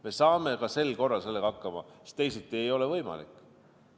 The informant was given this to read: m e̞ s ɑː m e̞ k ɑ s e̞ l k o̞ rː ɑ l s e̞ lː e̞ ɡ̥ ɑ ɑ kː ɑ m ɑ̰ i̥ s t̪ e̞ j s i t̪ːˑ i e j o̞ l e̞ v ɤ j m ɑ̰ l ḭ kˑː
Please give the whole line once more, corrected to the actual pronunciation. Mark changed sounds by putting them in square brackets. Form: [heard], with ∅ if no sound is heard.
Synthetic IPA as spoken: m e̞ s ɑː m e̞ k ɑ s e̞ l k o̞ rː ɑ l s e̞ lː e̞ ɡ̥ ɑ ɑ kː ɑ m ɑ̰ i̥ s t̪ e̞ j s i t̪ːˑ i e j o̞ l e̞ v ɤ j m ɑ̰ l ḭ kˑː

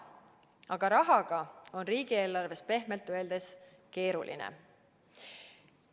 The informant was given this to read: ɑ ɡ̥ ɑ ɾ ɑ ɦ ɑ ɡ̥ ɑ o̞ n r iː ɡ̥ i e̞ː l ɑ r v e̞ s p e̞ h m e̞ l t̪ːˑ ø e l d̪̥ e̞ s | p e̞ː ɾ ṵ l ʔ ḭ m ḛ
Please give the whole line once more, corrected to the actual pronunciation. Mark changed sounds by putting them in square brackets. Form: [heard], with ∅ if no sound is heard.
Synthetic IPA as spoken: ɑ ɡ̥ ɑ ɾ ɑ ɦ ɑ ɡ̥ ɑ o̞ n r iː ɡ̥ i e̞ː l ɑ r v e̞ s p e̞ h m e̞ l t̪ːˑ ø e l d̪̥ e̞ s | [k] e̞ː ɾ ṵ l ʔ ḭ [n] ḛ

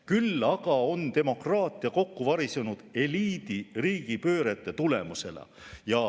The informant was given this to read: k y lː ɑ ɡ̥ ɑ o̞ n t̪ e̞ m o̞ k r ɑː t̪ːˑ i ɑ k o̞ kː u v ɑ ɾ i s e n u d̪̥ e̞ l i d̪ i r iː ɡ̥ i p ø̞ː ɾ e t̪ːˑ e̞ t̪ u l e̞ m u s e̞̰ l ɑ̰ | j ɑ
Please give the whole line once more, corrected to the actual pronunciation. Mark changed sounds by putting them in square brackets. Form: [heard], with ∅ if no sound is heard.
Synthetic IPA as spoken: k y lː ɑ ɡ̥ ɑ o̞ n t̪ e̞ m o̞ k r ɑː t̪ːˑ i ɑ k o̞ kː u v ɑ ɾ i s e n u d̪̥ e̞ l [iː] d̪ i r iː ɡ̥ i p ø̞ː ɾ e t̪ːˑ e̞ t̪ u l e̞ m u s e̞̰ l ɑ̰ | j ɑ

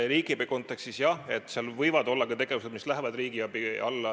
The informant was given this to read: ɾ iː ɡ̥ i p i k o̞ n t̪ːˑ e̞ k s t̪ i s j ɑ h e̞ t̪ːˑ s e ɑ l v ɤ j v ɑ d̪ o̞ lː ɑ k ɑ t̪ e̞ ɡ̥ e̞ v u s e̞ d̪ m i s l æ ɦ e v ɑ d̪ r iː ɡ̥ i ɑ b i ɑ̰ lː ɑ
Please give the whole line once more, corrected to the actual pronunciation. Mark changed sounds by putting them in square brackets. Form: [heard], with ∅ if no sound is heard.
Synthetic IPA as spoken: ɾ iː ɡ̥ i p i k o̞ n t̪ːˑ e̞ k s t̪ i s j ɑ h e̞ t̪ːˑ s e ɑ l v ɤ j v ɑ d̪ o̞ lː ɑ k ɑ t̪ e̞ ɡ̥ e̞ v u s e̞ d̪ m i s l æ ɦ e v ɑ d̪ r iː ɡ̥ i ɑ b i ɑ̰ lː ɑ

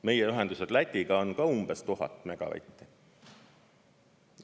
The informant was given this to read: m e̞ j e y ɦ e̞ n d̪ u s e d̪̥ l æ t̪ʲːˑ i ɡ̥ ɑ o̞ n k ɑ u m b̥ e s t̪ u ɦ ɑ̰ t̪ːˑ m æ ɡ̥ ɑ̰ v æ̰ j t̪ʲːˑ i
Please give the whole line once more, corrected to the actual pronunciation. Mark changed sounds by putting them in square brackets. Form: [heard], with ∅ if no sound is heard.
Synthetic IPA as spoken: m e̞ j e y ɦ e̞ n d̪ u s e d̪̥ l æ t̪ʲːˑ i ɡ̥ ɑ o̞ n k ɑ u m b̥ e s t̪ u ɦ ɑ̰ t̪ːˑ m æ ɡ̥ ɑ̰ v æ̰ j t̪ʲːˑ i

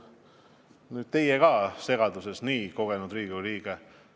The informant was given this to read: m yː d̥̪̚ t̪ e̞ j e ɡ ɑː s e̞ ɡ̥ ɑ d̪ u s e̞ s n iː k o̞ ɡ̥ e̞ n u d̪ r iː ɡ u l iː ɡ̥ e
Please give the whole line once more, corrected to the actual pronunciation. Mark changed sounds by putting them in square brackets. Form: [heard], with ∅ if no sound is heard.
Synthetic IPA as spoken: [n] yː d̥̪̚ t̪ e̞ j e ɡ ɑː s e̞ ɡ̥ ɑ d̪ u s e̞ s n iː k o̞ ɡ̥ e̞ n u d̪ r iː ɡ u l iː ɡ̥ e

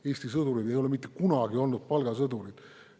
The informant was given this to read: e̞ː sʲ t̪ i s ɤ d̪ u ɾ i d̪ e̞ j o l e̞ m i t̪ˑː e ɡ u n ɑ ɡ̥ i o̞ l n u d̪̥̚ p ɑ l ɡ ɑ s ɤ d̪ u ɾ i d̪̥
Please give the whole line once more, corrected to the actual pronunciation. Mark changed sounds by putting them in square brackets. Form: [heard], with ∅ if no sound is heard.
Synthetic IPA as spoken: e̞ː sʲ t̪ i s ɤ d̪ u ɾ i d̪ e̞ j o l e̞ m i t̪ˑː e [k] u n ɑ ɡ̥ i o̞ l n u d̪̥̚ p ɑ l ɡ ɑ s ɤ d̪ u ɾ i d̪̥

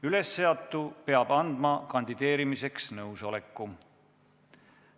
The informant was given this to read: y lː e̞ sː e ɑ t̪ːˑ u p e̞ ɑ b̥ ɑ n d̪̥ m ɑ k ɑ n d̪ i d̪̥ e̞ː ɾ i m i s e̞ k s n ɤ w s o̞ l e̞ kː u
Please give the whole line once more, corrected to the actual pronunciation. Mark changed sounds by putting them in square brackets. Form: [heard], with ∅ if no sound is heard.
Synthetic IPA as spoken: y [l] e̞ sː e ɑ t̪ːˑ u p e̞ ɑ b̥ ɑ n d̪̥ m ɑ k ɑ n d̪ i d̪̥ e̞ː ɾ i m i s e̞ k s n ɤ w s o̞ l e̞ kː u

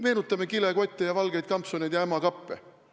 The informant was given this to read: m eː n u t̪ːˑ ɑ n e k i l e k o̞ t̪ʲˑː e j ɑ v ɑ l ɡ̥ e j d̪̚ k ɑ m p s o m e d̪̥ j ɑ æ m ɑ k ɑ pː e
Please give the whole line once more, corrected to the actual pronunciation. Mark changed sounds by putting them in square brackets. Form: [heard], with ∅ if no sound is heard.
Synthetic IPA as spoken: m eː n u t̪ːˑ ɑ [m] e k i l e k o̞ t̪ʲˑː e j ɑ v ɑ l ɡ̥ e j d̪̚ k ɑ m p s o [n] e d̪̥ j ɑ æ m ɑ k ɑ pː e

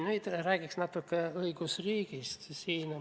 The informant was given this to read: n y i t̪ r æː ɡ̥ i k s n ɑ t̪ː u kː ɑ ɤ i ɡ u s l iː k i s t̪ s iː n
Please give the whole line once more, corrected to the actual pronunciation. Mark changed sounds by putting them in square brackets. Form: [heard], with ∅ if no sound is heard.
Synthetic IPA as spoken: n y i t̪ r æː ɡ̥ i k s n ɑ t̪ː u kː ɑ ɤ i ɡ u s [r] iː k i s t̪ s iː n

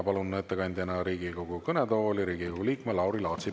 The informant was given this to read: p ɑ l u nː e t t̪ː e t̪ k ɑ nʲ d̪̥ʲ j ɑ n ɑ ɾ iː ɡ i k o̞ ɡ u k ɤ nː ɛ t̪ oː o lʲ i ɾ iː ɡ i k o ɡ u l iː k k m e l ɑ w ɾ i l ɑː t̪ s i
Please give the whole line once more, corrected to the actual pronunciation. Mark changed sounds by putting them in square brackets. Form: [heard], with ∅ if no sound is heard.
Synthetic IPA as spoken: p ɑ l u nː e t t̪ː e [∅] k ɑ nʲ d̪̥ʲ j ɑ n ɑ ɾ iː ɡ i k o̞ ɡ u k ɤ [n] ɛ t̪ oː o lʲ i ɾ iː ɡ i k o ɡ u l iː k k m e l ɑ w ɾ i l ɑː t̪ s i

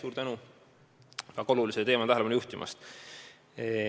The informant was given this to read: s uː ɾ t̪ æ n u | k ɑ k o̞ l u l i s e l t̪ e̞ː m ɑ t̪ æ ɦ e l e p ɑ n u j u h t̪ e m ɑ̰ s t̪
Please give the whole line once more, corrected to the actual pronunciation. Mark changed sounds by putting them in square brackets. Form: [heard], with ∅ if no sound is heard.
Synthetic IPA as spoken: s uː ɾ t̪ æ n u | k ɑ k o̞ l u l i s e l t̪ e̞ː m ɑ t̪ æ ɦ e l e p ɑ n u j u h t̪ [i] m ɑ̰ s t̪

